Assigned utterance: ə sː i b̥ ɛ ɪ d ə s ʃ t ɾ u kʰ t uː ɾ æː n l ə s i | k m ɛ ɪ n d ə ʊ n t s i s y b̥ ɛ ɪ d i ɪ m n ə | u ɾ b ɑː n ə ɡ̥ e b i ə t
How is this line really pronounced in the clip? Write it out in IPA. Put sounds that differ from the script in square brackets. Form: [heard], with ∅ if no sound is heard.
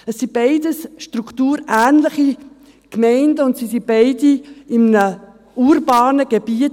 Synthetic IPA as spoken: ə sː i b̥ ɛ ɪ d ə s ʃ t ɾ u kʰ t uː ɾ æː n l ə [χ] i | k m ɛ ɪ n d ə ʊ n t s i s [i] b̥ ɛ ɪ d i ɪ m n ə | u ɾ b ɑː n ə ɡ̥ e b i ə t